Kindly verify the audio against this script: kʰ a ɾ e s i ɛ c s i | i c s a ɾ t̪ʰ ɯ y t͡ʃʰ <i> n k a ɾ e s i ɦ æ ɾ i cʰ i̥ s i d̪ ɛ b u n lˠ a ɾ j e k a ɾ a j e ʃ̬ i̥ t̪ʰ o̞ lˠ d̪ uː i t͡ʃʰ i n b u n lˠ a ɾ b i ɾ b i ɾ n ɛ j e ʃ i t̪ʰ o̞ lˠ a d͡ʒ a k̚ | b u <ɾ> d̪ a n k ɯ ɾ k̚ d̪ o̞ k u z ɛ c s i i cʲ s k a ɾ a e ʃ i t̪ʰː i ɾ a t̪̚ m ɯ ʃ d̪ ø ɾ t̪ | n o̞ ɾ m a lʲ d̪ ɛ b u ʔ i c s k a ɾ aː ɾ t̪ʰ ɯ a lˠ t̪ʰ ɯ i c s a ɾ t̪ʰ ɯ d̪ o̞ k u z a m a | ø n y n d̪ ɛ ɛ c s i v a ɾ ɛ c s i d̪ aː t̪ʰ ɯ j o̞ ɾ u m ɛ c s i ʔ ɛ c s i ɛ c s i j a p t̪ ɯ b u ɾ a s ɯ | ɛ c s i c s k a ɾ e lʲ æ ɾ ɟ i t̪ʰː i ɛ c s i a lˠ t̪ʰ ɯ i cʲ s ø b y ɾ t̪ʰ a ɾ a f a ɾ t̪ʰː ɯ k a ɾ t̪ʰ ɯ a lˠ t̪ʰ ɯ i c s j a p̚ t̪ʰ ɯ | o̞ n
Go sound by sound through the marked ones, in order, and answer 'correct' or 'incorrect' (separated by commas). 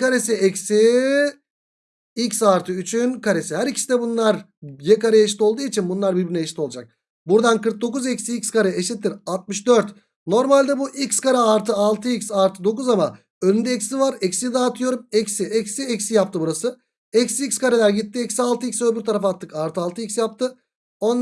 incorrect, correct